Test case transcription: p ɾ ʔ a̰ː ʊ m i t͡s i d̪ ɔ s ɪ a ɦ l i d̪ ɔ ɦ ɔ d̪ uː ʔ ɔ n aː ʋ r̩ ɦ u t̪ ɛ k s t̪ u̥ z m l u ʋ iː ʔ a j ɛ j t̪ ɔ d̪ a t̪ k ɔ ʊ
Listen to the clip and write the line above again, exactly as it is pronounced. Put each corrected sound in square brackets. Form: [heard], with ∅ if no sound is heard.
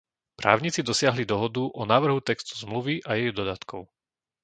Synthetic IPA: p ɾ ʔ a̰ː ʊ [ɲ] i t͡s i d̪ ɔ s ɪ a ɦ l i d̪ ɔ ɦ ɔ d̪ [u] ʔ ɔ n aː ʋ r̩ ɦ u t̪ ɛ k s t̪ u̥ z m l u ʋ [i] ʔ a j ɛ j [d̪] ɔ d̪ a t̪ k ɔ ʊ